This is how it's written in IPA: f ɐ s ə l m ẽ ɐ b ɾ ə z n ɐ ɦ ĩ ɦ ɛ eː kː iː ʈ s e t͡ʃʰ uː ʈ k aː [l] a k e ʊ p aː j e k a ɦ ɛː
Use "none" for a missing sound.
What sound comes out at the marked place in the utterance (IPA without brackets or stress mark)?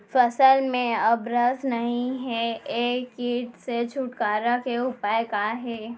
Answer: ɾ